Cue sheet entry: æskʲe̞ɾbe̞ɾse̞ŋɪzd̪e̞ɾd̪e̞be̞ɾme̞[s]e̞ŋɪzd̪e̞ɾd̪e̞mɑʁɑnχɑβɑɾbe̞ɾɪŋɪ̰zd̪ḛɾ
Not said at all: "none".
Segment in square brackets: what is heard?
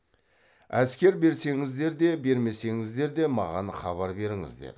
s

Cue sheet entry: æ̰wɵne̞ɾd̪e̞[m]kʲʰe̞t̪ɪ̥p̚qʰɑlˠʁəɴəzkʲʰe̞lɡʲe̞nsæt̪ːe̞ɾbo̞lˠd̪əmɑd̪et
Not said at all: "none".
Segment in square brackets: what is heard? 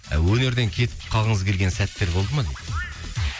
ŋ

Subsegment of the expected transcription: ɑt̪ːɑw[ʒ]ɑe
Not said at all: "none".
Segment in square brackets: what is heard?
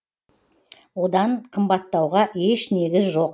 ʁ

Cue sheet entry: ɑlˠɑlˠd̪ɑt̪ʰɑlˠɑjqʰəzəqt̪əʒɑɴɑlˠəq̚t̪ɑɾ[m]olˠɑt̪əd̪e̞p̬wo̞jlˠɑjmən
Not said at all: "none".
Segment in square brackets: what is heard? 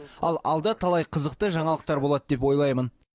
b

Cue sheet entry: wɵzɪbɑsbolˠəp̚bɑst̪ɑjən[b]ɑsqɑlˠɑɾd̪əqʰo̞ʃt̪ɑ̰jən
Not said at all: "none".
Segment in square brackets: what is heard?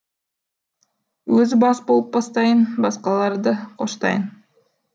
b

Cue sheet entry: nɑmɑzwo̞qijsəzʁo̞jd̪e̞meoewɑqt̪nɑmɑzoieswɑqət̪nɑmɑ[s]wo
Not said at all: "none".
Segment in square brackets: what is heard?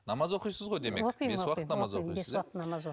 z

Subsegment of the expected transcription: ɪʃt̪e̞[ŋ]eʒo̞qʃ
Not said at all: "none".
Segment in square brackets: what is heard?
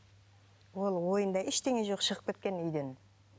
ŋ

